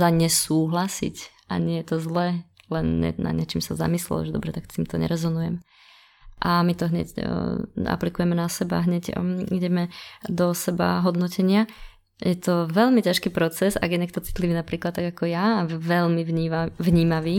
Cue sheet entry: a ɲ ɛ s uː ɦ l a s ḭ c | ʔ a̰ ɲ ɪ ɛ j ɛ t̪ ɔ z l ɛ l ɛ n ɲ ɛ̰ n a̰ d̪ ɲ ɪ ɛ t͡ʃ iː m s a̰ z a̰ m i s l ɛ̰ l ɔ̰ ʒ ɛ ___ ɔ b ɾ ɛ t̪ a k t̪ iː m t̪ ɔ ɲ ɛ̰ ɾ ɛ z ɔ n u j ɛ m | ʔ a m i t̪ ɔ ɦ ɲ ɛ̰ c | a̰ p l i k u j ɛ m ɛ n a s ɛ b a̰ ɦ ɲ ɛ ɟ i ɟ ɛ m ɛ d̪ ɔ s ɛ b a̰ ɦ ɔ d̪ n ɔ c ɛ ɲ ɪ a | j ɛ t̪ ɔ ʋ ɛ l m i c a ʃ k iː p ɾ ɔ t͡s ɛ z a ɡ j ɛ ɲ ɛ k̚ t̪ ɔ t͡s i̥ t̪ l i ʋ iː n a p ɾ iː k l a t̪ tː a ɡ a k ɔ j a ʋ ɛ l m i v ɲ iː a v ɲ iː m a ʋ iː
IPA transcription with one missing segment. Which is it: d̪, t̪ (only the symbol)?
d̪